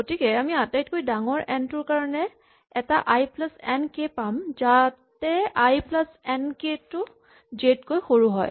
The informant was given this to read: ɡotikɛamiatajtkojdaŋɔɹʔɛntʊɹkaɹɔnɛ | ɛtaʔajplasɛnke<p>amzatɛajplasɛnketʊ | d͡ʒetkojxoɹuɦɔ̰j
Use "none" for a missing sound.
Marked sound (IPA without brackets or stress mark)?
p